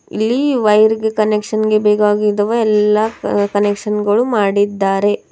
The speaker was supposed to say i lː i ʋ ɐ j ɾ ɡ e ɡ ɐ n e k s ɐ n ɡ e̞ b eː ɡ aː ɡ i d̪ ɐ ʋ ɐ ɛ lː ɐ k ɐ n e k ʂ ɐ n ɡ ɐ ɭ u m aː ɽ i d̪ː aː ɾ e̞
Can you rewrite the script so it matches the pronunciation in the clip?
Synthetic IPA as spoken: i lː i ʋ ɐ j ɾ ɡ e k ɐ n e k ʂ ɐ n ɡ e̞ b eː ɡ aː ɡ i d̪ ɐ ʋ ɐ ɛ lː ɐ k ɐ n e k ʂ ɐ n ɡ ɐ ɭ u m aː ɽ i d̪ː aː ɾ e̞